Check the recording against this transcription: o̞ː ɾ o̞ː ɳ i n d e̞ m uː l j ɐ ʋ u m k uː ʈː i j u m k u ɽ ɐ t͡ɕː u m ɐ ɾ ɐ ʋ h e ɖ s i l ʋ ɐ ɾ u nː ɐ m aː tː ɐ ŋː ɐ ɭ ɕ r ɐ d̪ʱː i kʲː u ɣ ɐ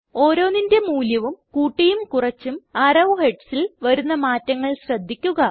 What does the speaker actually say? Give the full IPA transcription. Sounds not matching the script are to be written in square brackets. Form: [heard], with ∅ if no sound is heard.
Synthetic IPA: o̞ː ɾ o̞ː [n] i n d e̞ m uː l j ɐ ʋ u m k uː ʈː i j u m k u [r] ɐ t͡ɕː u m ɐ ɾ ɐ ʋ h e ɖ s i l ʋ ɐ ɾ u nː ɐ m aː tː ɐ ŋː ɐ ɭ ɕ r ɐ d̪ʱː i kʲː u ɣ ɐ

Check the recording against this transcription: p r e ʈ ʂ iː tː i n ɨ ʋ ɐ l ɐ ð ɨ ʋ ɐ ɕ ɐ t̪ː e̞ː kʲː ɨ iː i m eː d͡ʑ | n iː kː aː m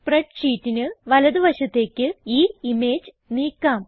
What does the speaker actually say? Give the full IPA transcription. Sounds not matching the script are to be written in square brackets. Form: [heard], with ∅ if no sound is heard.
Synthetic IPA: p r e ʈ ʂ iː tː i n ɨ ʋ ɐ l ɐ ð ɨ ʋ ɐ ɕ ɐ t̪ː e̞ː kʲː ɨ iː i m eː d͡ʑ | n iː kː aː m

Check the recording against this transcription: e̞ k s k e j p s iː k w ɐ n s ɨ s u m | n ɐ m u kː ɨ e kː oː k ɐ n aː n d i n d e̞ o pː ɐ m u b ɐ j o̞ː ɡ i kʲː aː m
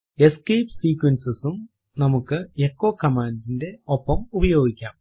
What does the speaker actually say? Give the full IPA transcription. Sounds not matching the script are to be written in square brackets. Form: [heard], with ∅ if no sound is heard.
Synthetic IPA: e̞ [∅] s k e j p s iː k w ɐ n s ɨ s u m | n ɐ m u kː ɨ e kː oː k ɐ [m] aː n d i n d e̞ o pː ɐ m u b ɐ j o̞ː ɡ i kʲː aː m

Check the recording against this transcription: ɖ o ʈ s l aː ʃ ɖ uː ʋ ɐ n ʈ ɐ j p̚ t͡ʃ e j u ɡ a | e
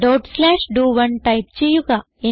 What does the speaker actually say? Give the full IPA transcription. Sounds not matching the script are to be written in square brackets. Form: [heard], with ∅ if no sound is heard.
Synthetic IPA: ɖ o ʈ s l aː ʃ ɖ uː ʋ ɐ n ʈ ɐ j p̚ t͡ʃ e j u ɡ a | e

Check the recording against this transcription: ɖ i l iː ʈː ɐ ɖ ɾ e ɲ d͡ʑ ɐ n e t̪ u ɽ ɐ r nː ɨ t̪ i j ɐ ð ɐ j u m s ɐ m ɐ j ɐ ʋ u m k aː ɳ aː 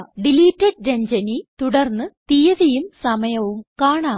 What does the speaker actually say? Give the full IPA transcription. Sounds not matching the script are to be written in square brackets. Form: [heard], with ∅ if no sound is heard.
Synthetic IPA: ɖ i l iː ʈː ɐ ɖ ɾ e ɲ d͡ʑ ɐ n [i] t̪ u ɽ ɐ r nː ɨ t̪ i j ɐ ð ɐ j u m s ɐ m ɐ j ɐ ʋ u m k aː ɳ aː

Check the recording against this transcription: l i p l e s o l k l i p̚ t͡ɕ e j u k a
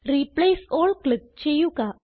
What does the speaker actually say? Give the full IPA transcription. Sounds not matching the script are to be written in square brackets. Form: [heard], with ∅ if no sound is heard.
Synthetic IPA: [ɾ] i p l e s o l k l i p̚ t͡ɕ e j u k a

